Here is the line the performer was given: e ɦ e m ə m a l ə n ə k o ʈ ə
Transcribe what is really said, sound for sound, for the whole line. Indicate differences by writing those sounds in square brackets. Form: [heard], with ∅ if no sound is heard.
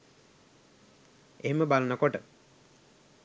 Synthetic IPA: e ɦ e m ə [b] a l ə n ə k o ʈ ə